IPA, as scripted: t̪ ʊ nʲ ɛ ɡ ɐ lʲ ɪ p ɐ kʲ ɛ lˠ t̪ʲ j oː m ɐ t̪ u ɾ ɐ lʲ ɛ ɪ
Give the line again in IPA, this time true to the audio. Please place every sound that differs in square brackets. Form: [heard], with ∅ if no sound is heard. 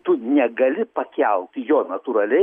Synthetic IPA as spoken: t̪ ʊ nʲ ɛ ɡ ɐ lʲ ɪ p ɐ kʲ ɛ lˠ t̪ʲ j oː [n] ɐ t̪ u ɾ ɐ lʲ ɛ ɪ